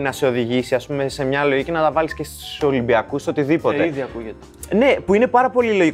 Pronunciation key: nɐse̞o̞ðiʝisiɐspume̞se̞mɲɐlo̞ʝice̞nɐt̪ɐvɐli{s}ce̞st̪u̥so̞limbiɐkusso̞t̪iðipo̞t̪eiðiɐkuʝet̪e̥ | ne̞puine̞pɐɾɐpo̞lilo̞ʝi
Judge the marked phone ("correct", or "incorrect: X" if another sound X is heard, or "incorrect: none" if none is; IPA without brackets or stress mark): correct